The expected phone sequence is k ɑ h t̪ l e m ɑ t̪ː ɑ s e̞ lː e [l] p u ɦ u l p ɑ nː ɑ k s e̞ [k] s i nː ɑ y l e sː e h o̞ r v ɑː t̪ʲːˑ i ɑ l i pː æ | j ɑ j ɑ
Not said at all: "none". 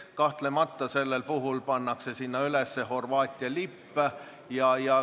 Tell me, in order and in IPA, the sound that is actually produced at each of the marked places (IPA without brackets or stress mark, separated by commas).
l, none